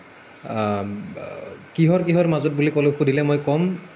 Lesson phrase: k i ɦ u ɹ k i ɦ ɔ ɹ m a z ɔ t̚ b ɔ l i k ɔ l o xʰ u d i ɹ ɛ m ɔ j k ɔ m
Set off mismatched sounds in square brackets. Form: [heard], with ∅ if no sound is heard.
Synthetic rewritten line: k i ɦ [ɔ] ɹ k i ɦ ɔ ɹ m a z ɔ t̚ b [u] l i k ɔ l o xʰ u d i [l] ɛ m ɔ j k ɔ m